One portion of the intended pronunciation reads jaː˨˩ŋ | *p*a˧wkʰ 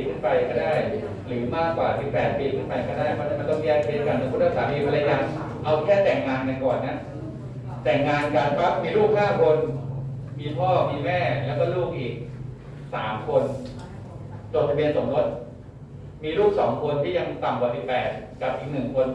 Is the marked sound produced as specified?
no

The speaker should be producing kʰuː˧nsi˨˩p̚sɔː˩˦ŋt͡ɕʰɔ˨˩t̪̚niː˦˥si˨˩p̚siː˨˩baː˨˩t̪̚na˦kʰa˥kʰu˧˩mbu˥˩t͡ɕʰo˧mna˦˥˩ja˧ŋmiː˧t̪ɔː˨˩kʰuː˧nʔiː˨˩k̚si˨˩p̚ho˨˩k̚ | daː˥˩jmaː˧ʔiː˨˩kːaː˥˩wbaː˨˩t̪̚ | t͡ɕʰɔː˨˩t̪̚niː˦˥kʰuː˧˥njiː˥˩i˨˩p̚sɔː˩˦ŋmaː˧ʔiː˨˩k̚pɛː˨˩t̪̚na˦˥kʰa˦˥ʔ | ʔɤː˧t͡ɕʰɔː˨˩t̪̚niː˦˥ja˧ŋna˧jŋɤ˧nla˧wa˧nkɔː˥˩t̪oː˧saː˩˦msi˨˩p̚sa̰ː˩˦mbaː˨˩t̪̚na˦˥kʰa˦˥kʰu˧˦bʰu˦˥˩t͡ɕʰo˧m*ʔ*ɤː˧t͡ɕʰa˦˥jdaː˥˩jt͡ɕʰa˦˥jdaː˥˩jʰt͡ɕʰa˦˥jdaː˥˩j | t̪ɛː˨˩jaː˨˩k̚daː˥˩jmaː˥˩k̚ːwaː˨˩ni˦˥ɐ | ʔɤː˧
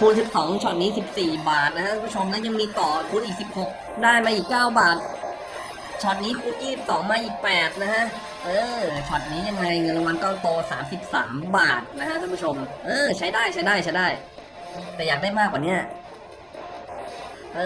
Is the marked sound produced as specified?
yes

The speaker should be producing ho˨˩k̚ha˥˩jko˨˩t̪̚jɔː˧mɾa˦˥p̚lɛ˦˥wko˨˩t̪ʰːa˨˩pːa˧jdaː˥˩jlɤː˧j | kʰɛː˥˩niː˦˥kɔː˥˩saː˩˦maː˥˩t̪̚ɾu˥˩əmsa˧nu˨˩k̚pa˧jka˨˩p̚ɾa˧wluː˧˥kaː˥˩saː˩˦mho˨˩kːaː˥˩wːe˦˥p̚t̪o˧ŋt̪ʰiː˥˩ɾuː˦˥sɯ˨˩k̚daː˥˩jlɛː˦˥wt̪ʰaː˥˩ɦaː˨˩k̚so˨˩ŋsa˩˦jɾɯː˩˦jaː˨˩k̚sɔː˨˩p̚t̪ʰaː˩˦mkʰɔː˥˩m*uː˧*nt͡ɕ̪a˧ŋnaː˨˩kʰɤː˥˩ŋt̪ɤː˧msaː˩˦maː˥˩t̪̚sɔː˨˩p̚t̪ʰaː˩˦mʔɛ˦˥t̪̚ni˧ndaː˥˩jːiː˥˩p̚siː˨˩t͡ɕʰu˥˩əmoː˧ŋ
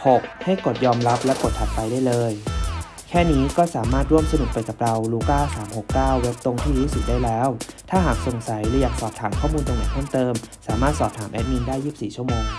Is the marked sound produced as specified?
yes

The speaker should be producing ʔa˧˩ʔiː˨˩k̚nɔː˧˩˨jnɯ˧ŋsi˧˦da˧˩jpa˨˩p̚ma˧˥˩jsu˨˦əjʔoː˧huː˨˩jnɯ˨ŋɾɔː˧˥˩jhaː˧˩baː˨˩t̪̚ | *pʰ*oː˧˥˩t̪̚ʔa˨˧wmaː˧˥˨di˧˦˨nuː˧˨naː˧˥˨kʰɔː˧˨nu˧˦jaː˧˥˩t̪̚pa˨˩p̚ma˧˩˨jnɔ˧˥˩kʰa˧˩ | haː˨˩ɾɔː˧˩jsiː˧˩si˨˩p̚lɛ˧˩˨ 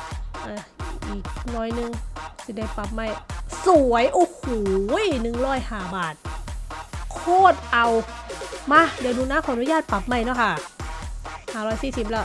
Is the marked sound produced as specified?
no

